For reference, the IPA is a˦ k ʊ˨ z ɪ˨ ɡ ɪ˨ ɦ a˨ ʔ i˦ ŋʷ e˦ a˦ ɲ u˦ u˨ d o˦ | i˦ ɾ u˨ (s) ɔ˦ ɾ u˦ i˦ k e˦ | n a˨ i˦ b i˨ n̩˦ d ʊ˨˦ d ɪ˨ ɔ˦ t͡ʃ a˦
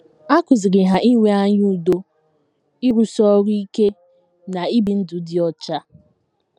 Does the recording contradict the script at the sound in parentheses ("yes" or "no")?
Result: no